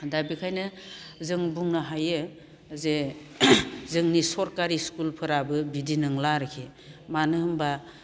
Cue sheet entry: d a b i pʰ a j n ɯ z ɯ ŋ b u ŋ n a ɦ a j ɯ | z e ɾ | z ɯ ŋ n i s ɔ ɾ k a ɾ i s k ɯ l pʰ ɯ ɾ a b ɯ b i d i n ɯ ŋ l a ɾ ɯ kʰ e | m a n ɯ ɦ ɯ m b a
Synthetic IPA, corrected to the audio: d a b i kʰ a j n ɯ z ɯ ŋ b u ŋ n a ɦ a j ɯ | z e | z ɯ ŋ n i s ɔ ɾ k a ɾ i s k u l pʰ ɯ ɾ a b ɯ b i d i n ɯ ŋ l a ɾ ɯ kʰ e | m a n ɯ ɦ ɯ m b a

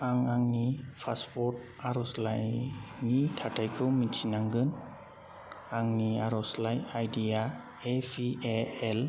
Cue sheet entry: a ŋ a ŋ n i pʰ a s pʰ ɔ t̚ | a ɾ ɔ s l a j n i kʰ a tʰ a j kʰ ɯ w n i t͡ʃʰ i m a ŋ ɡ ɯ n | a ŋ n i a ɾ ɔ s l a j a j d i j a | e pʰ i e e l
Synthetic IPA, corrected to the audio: a ŋ a ŋ n i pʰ a s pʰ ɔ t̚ | a ɾ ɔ s l a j n i tʰ a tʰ a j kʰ ɯ w m i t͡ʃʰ i n a ŋ ɡ ɯ n | a ŋ n i a ɾ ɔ s l a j a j d i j a | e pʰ i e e l

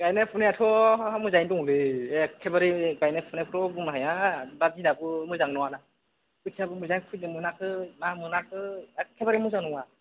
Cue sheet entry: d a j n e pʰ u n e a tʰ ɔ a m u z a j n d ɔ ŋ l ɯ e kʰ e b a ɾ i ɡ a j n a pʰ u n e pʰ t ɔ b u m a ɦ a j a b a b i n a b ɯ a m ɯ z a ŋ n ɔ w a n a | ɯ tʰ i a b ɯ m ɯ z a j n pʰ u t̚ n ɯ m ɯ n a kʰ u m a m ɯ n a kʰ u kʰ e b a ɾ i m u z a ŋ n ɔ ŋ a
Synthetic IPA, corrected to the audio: ɡ a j n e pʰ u n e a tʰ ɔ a m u z a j n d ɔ ŋ l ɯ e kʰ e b a ɾ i ɡ a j n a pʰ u n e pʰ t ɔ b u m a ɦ a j a b a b i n a b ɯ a m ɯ z a ŋ n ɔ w a n a | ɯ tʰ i a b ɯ m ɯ z a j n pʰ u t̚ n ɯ m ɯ n a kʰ ɯ m a m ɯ n a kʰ ɯ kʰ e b a ɾ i m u z a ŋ n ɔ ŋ a

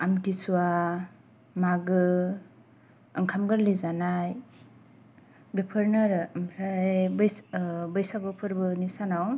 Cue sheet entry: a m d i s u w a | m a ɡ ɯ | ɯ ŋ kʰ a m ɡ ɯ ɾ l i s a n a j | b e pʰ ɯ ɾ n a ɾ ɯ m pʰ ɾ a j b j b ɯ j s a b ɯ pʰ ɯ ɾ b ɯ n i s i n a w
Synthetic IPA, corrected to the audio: a m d i s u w a | m a ɡ ɯ | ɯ ŋ kʰ a m ɡ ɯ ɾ l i z a n a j | b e pʰ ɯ ɾ n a ɾ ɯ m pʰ ɾ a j b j b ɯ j s a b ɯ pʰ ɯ ɾ b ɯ n i s a n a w

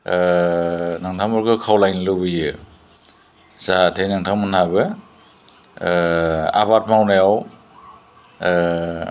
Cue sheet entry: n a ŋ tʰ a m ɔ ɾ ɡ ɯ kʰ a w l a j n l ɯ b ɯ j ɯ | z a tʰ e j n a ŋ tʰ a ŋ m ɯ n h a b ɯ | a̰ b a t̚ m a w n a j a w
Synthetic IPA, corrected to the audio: n a ŋ tʰ a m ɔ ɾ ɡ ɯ kʰ a w l a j n l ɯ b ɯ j ɯ | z a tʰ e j n a ŋ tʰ a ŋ m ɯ n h a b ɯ | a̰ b a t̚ m a w n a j a w

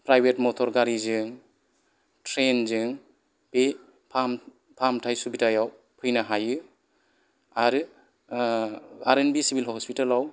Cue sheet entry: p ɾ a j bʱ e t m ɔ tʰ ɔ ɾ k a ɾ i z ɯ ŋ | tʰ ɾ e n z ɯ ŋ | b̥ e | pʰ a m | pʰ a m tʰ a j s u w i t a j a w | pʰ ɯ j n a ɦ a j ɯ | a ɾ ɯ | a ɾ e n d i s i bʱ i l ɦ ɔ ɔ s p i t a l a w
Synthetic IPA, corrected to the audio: p ɾ a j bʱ e t m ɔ tʰ ɔ ɾ ɡ a ɾ i z ɯ ŋ | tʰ ɾ e n z ɯ ŋ | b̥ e | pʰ a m | pʰ a m tʰ a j s u b i t a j a w | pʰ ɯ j n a ɦ a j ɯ | a ɾ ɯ | a ɾ e n b i s i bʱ i l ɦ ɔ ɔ s p i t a l a w

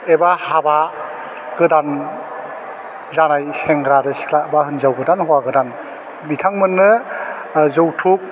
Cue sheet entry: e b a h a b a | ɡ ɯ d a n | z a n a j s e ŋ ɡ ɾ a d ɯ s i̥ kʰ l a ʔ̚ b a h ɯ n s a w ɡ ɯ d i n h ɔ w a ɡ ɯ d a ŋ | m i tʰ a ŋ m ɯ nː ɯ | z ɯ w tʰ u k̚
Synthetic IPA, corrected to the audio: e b a h a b a | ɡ ɯ d a n | z a n a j s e ŋ ɡ ɾ a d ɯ s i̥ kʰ l a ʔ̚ b a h ɯ n z a w ɡ ɯ d a n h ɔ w a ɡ ɯ d a n | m i tʰ a ŋ m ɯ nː ɯ | z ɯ w tʰ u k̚

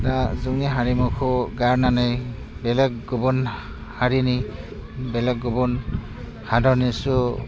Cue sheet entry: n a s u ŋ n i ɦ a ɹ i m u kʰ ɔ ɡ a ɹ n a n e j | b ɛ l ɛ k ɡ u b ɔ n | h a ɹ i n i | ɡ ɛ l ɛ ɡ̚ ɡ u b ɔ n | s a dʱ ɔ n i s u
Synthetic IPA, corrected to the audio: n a z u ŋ n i ɦ a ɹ i m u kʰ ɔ ɡ a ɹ n a n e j | b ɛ l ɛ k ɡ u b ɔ n | h a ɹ i n i | b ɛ l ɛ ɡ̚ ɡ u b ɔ n | h a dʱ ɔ n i s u

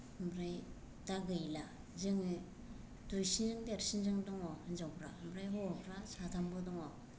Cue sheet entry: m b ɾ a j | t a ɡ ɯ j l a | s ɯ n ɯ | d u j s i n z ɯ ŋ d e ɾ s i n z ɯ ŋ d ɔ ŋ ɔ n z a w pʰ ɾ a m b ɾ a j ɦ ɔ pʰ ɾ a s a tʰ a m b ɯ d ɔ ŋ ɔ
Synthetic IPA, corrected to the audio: m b ɾ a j | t a ɡ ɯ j l a | z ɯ ŋ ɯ | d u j s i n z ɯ ŋ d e ɾ s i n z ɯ ŋ d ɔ ŋ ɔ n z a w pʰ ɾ a m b ɾ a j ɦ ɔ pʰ ɾ a s a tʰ a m b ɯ d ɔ ŋ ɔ

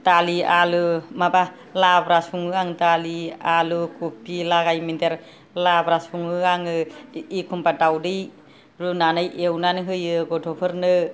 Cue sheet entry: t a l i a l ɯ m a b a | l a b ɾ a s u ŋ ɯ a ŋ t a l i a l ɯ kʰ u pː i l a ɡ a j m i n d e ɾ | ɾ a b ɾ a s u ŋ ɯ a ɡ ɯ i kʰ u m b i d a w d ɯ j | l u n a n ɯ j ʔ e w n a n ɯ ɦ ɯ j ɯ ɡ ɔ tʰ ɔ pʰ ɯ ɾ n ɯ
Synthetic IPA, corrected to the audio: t a l i a l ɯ m a b a | l a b ɾ a s u ŋ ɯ a ŋ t a l i a l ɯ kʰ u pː i l a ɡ a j m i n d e ɾ | l a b ɾ a s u ŋ ɯ a ŋ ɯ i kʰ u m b a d a w d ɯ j | ɾ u n a n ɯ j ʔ e w n a n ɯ ɦ ɯ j ɯ ɡ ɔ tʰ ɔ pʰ ɯ ɾ n ɯ

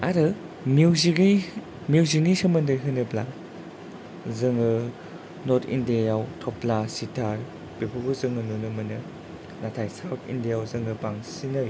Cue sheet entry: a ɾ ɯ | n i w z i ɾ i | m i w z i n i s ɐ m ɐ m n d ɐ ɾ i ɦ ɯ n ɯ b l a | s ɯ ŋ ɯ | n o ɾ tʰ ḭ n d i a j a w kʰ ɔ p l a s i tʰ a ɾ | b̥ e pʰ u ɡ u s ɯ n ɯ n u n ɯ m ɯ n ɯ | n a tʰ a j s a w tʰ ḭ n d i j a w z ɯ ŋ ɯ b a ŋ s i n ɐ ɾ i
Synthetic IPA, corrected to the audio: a ɾ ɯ | m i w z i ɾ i | m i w z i n i s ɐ m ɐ n d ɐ ɾ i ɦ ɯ n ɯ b l a | z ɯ ŋ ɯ | n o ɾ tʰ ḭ n d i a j a w tʰ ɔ p l a s i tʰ a ɾ | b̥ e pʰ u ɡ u z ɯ ŋ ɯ n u n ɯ m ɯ n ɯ | n a tʰ a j s a w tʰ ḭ n d i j a w z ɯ ŋ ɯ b a ŋ s i n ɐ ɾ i

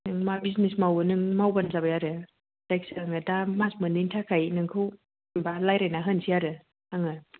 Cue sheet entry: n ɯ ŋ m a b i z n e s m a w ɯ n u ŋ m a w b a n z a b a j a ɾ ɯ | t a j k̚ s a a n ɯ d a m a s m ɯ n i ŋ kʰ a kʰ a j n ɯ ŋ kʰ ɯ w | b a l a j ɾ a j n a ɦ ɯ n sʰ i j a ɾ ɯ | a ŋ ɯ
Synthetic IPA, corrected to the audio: n ɯ ŋ m a b i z n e s m a w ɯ n ɯ ŋ m a w b a n z a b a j a ɾ ɯ | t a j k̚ s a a ŋ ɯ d a m a s m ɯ n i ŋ tʰ a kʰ a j n ɯ ŋ kʰ ɯ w | b a l a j ɾ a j n a ɦ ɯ n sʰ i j a ɾ ɯ | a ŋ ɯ

